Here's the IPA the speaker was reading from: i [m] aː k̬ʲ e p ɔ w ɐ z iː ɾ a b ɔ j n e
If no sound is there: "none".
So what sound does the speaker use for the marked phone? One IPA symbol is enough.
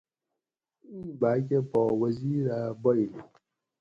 b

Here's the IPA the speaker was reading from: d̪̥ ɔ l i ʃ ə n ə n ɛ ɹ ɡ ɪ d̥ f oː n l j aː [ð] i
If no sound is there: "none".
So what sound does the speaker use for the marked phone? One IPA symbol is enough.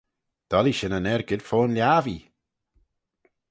v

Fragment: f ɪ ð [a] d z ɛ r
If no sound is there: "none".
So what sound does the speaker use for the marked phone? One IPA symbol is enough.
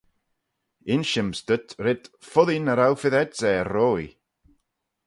ɛ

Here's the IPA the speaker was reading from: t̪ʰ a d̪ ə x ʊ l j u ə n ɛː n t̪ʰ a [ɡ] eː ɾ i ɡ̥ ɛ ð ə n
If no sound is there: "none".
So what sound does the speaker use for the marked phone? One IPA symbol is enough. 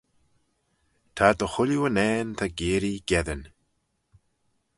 ɡ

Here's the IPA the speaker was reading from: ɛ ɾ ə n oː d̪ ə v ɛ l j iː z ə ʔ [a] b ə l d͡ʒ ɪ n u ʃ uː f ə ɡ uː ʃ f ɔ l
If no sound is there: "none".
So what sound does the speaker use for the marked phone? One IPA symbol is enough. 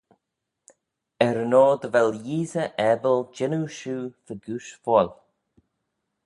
ɛ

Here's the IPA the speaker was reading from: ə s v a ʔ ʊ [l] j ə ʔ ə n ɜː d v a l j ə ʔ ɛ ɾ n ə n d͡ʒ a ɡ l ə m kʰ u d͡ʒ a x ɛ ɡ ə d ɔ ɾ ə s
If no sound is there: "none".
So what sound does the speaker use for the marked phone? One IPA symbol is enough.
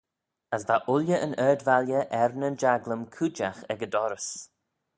l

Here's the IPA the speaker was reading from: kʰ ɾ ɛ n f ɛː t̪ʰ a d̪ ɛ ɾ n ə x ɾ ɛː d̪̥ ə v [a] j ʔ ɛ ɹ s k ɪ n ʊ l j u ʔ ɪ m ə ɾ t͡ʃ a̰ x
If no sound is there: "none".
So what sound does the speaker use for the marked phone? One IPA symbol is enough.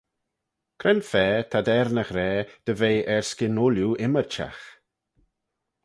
e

